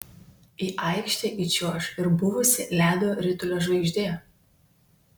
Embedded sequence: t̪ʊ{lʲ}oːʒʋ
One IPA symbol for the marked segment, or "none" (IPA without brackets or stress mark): lʲ